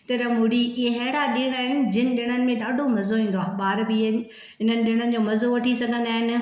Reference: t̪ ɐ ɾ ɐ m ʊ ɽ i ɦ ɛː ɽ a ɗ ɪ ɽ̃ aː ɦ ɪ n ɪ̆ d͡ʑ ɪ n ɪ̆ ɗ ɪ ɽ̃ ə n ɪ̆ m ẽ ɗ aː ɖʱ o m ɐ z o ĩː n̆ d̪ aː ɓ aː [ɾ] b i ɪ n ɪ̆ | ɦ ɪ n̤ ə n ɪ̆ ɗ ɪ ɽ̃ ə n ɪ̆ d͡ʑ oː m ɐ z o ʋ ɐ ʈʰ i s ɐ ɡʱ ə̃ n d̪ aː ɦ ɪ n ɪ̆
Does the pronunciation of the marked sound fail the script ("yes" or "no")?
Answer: no